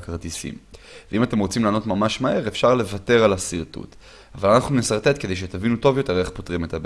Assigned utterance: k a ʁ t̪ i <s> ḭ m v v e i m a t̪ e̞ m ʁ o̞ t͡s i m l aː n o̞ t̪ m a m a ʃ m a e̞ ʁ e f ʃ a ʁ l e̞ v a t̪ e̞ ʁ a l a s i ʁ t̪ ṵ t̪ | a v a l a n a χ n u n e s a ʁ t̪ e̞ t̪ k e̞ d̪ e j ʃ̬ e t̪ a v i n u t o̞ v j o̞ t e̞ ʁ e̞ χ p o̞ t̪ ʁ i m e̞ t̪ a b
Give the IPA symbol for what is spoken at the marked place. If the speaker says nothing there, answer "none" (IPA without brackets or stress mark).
s